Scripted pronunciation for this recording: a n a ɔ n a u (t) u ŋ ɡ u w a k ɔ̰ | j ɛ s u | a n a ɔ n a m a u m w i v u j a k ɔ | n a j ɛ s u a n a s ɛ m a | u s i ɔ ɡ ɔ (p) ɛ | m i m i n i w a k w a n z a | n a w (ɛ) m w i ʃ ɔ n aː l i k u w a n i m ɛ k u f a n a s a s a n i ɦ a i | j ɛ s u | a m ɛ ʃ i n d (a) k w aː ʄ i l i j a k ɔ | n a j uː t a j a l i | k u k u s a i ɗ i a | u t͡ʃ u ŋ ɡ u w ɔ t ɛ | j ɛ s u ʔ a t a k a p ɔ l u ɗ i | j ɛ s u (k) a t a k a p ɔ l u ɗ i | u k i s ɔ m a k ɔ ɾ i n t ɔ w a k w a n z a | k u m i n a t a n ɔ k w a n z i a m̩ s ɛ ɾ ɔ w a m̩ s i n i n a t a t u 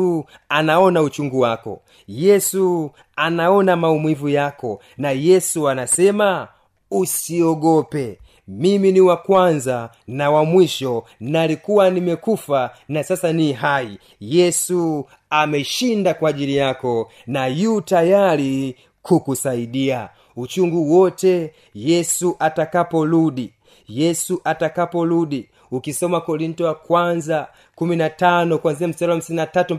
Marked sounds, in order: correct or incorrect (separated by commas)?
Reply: incorrect, correct, incorrect, correct, incorrect